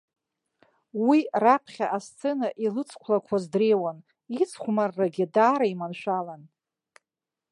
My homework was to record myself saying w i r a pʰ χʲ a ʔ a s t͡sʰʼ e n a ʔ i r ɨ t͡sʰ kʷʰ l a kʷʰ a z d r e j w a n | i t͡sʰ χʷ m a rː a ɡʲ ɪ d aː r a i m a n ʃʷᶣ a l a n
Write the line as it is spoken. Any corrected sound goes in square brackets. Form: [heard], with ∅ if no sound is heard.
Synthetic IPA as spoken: w i r a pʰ χʲ a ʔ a s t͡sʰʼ e n a ʔ i [l] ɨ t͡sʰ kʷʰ l a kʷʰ a z d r e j w a n | i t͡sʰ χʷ m a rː a ɡʲ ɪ d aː [ɾ] a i m a n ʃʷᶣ a l a n